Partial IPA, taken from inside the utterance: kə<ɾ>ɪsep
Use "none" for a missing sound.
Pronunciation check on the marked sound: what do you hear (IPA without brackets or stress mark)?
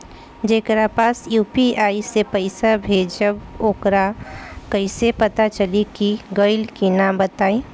none